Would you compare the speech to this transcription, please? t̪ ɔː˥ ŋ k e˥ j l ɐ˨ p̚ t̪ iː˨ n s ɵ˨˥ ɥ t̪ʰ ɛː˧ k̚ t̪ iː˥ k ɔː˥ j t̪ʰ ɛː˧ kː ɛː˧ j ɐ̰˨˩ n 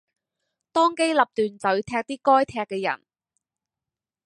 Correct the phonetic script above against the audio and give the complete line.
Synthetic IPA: t̪ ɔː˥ ŋ k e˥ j l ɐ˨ p̚ t̪ yː˨ n t͡s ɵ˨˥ ɥ t̪ʰ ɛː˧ k̚ t̪ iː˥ k ɔː˥ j t̪ʰ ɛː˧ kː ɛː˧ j ɐ̰˨˩ n